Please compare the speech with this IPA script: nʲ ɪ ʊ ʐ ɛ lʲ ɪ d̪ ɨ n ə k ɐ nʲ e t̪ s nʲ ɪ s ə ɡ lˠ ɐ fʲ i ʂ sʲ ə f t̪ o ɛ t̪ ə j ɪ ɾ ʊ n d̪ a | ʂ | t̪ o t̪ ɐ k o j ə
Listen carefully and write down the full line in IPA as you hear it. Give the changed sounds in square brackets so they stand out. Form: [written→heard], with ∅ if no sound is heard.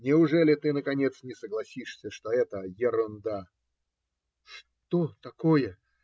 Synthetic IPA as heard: nʲ ɪ ʊ ʐ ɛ lʲ ɪ [d̪→t̪] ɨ n ə k ɐ nʲ e t̪ s nʲ ɪ s ə ɡ lˠ ɐ [fʲ→sʲ] i ʂ sʲ ə [f→ʂ] t̪ o ɛ t̪ ə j ɪ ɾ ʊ n d̪ a | ʂ | t̪ o t̪ ɐ k o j ə